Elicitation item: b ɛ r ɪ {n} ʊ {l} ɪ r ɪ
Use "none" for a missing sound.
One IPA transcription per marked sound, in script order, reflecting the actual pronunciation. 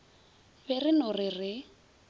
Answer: n, r

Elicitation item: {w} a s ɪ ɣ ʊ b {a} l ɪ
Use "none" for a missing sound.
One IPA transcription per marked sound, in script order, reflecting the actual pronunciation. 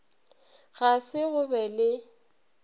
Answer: ɣ, ɛ

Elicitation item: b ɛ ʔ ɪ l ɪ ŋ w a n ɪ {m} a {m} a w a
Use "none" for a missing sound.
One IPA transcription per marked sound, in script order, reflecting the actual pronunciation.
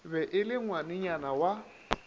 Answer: ɲ, n

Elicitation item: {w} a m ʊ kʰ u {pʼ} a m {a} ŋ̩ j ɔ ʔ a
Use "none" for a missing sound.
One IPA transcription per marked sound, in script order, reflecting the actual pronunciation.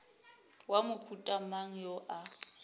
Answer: w, tʼ, a

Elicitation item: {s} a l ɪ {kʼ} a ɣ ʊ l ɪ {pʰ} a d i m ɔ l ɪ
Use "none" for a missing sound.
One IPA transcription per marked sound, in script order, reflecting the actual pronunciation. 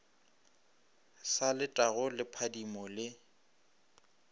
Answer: s, tʼ, pʰ

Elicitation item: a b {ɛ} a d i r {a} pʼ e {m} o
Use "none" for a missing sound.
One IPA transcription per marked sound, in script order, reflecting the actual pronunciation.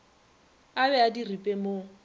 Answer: ɛ, i, m

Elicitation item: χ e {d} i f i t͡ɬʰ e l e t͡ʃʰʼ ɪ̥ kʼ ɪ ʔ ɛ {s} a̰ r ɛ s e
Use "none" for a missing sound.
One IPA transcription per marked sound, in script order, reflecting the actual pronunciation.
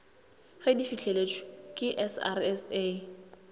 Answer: d, s

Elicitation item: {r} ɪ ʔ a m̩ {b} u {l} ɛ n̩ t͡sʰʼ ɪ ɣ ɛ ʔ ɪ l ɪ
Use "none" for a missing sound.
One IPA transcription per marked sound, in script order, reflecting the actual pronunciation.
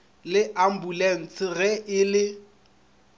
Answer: l, b, l

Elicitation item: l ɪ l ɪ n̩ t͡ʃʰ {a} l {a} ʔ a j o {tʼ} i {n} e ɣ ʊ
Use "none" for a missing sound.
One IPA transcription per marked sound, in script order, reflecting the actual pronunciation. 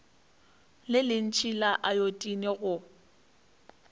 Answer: i, a, tʼ, n

